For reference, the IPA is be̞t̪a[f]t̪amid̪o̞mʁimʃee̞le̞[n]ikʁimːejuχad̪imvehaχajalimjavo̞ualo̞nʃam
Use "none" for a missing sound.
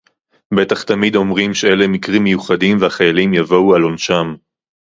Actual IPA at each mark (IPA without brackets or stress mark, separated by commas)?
χ, m